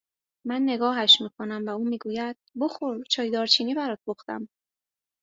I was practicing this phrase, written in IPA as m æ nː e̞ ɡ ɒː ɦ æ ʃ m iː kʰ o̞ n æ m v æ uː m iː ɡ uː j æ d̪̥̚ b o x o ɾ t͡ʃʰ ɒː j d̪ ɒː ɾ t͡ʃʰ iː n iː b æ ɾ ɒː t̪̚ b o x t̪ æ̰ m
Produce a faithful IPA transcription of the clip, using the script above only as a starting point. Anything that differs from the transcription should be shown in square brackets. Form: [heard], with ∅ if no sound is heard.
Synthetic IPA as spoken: m æ nː e̞ ɡ ɒː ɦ æ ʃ m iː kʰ o̞ n æ m v æ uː m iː ɡ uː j æ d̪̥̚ b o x o ɾ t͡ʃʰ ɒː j d̪ ɒː ɾ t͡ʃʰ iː n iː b æ ɾ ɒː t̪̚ b o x t̪ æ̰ m